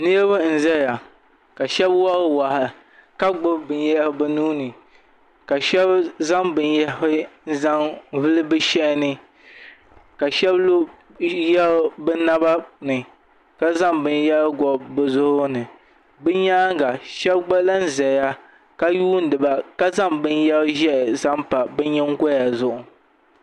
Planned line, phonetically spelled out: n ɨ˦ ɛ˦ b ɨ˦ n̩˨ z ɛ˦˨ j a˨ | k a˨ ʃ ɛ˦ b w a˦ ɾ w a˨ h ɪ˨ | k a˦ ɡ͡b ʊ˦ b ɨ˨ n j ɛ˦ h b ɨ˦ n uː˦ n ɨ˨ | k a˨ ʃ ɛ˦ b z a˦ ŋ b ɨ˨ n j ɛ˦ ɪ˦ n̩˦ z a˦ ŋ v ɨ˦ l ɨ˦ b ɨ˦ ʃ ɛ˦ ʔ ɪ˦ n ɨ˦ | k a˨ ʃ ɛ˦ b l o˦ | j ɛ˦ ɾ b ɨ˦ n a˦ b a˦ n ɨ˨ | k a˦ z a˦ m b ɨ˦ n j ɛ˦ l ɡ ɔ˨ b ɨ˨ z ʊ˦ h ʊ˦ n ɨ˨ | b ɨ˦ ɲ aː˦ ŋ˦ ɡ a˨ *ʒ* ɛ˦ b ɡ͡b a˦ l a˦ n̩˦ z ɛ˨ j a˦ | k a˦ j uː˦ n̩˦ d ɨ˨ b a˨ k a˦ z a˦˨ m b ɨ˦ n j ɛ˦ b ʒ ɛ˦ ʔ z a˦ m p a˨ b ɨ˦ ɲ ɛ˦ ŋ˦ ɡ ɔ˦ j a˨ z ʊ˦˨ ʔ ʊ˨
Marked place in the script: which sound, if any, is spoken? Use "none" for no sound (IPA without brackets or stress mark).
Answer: ʃ